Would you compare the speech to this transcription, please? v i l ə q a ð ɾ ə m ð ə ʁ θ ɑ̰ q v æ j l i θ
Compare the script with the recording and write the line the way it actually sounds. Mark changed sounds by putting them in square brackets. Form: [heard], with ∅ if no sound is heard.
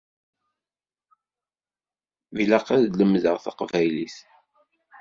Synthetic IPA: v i l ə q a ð [l] ə m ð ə ʁ θ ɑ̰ q v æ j l i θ

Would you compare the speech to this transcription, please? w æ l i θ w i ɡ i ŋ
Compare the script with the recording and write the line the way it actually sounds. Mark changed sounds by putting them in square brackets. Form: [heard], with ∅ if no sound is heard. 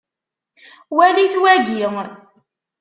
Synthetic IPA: w æ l i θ w [æ] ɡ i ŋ

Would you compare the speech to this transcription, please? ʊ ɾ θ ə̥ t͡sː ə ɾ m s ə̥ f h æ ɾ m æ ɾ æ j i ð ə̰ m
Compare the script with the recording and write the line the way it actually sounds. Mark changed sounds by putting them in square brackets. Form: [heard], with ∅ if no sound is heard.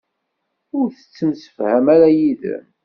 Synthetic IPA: ʊ ɾ θ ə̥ t͡sː ə [∅] m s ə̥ f h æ [∅] m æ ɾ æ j i ð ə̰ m

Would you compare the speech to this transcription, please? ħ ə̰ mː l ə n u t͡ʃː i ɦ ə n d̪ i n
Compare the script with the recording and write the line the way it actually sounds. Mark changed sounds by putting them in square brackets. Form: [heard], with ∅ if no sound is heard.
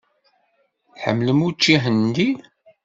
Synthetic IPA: ħ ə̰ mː l ə [m] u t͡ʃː i ɦ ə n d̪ i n

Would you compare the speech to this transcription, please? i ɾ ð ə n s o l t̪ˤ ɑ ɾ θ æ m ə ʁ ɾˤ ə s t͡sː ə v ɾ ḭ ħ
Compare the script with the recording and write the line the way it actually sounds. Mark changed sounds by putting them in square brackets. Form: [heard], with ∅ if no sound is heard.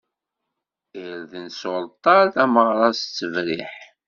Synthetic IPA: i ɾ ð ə n s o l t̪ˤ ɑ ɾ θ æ m ə ʁ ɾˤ [ɑ] s t͡sː ə v ɾ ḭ ħ

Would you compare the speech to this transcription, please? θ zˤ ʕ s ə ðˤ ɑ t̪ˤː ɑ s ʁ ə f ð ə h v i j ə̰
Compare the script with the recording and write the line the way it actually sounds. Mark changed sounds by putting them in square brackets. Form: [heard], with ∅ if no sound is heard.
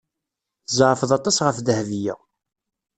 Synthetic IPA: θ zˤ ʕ [f] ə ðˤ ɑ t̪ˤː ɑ s ʁ ə f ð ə h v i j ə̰

